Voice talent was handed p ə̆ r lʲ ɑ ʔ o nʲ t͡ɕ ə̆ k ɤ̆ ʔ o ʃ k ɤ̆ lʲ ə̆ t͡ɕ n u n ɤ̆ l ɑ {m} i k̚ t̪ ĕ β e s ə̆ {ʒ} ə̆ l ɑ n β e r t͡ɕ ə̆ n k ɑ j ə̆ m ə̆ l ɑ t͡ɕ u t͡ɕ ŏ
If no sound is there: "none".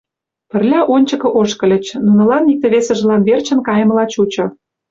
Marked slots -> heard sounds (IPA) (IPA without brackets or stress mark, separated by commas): n, ʒ